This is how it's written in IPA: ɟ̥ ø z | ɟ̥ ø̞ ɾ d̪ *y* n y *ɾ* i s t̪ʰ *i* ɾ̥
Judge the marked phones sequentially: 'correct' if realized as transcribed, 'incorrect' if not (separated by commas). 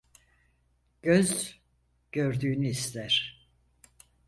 incorrect, incorrect, incorrect